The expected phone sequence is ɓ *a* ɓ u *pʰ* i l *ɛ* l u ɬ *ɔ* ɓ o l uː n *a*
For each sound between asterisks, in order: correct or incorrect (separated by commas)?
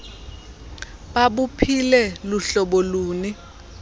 correct, correct, correct, correct, incorrect